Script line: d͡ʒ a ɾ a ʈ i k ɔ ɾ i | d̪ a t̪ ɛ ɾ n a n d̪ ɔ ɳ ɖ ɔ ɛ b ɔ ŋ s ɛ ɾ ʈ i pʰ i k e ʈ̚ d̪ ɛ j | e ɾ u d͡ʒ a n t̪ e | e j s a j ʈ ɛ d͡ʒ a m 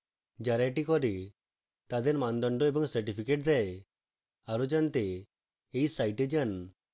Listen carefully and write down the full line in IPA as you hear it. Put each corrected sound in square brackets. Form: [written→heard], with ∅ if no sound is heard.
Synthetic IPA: d͡ʒ a ɾ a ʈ i k ɔ ɾ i | [d̪→t̪] a [t̪→d̪] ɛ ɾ [n→m] a n d̪ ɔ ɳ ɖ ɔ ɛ b ɔ ŋ s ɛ ɾ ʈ i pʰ i k e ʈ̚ d̪ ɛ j | [e→a] ɾ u d͡ʒ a n t̪ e | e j s a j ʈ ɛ d͡ʒ a [m→n]